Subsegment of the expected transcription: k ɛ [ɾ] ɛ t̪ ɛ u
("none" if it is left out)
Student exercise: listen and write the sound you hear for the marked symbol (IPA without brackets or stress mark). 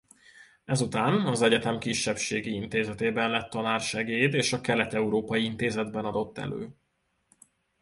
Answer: l